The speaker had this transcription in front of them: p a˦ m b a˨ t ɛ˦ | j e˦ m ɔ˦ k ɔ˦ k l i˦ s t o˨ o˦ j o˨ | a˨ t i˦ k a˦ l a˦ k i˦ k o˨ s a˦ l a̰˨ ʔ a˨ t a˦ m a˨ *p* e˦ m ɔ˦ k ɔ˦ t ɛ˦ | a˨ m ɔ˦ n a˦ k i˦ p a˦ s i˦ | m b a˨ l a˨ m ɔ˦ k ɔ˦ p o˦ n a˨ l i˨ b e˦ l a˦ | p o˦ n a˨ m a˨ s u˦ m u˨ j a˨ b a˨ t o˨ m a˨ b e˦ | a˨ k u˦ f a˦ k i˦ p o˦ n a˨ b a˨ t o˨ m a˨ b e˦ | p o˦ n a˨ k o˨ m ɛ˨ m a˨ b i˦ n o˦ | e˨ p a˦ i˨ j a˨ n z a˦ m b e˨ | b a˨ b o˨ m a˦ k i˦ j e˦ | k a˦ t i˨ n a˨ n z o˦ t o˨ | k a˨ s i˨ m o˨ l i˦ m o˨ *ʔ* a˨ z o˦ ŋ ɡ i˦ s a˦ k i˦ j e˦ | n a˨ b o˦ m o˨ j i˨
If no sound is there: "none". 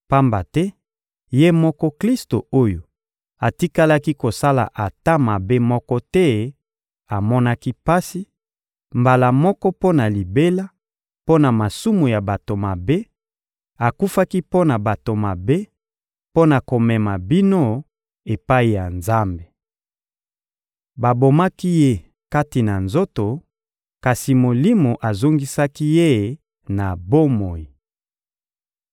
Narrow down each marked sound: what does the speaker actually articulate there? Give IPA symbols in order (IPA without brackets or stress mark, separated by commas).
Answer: b, ʔ